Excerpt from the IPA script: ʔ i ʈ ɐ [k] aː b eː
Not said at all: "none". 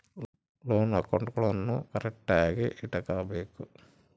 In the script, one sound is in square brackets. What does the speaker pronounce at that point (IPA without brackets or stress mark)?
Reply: k